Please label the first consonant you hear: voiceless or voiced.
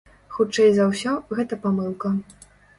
voiceless